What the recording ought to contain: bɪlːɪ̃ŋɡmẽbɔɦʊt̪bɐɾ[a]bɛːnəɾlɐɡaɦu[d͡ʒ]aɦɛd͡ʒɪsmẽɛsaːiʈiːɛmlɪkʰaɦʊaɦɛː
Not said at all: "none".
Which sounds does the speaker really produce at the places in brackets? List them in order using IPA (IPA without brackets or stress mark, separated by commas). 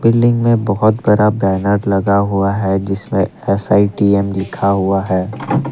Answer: a, none